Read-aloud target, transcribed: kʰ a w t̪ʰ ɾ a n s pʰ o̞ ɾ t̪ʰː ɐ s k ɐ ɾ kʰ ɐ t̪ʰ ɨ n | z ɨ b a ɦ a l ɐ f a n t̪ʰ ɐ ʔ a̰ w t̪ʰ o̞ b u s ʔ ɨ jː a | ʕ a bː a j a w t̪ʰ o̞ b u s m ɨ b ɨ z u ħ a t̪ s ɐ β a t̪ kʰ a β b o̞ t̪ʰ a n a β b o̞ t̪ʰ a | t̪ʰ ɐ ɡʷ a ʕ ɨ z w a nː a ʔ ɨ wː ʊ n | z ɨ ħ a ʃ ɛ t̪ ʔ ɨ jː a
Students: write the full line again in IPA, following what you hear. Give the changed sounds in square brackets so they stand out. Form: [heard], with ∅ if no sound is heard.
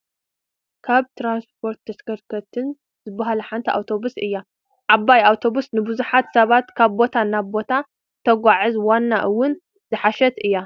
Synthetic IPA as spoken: kʰ a [β] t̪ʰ ɾ a n s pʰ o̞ ɾ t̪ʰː ɐ s k ɐ ɾ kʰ ɐ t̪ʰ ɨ n | z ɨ b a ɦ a l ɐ [ħ] a n t̪ʰ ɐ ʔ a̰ w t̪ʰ o̞ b u s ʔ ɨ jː a | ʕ a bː a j a w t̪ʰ o̞ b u s [n] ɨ b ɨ z u ħ a t̪ s ɐ β a t̪ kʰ a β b o̞ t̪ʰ a n a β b o̞ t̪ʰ a | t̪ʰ ɐ ɡʷ a ʕ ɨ z w a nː a ʔ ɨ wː ʊ n | z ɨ ħ a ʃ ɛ t̪ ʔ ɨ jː a